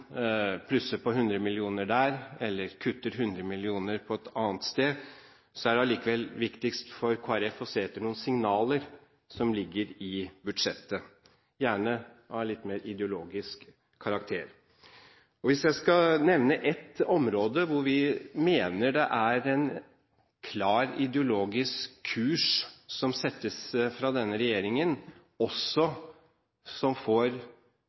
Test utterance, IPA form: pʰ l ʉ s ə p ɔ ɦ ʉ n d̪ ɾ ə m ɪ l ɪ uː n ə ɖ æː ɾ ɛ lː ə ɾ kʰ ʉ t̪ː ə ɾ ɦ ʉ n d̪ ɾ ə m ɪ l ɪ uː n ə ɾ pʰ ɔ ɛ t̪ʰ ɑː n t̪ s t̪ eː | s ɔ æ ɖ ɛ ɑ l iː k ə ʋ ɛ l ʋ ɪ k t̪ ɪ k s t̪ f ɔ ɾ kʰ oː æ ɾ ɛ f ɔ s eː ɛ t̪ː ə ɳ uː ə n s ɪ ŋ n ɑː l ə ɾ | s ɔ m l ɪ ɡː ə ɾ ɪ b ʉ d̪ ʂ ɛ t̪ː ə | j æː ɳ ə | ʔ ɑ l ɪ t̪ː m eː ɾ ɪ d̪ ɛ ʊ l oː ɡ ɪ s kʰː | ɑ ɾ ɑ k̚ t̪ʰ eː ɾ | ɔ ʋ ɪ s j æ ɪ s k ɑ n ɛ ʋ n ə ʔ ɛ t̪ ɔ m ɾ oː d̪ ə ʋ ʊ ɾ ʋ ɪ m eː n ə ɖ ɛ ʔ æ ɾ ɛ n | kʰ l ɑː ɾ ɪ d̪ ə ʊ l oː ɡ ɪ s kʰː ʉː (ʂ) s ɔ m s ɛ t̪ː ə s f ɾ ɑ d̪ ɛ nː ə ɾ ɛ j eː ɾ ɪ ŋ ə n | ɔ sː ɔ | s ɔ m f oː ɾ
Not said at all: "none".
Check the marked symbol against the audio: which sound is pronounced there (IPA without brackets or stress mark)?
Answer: ʂ